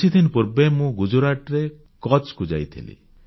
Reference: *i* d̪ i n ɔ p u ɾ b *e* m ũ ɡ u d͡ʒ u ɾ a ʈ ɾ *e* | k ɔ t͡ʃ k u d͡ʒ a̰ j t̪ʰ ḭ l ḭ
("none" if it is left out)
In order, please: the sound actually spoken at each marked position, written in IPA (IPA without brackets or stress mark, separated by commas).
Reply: i, e, e